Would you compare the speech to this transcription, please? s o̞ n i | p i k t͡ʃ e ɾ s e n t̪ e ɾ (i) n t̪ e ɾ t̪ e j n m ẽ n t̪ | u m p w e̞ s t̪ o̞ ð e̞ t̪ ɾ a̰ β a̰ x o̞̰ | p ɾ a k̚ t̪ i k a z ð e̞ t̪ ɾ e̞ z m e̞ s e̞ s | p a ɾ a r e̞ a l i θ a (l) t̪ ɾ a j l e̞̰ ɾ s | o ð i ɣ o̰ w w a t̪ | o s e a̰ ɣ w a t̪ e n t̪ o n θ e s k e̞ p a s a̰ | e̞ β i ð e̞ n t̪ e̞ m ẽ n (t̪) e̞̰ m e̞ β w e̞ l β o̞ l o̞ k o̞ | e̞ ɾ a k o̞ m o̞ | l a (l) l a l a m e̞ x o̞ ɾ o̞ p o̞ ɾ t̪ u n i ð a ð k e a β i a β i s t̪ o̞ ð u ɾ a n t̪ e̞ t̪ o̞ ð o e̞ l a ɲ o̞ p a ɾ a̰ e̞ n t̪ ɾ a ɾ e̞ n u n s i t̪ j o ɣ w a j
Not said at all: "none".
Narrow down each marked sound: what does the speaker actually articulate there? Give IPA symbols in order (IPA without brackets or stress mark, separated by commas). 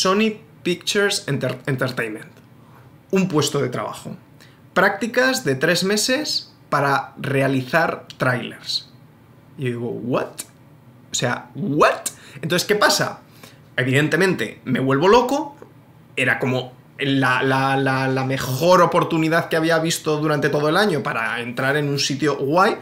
e, ɾ, t̪, l